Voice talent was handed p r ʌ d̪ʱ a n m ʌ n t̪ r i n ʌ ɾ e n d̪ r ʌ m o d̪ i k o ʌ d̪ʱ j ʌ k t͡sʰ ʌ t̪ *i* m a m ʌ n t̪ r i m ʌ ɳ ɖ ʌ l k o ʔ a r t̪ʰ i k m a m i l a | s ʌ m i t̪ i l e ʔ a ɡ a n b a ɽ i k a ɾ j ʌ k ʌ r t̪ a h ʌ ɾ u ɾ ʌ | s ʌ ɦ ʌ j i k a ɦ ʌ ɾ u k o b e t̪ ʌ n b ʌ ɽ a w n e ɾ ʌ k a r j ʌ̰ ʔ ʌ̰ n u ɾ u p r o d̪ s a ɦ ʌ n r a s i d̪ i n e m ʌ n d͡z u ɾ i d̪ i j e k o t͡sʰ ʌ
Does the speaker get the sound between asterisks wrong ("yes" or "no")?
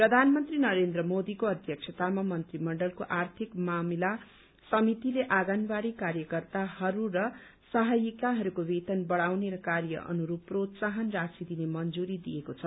yes